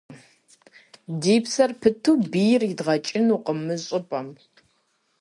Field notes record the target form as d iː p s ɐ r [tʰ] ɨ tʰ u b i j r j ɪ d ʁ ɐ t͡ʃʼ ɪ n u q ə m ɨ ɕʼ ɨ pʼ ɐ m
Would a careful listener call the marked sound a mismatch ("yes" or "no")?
yes